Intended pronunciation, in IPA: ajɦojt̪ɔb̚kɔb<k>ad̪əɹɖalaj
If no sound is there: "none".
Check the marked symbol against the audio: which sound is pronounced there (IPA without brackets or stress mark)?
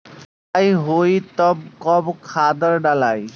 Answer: kʰ